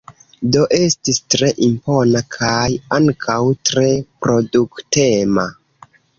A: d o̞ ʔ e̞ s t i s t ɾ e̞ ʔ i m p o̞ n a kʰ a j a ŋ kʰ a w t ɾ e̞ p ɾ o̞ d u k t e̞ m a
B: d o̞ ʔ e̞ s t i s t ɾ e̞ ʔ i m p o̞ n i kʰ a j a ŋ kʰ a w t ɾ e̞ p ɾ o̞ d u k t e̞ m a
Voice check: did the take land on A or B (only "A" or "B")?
A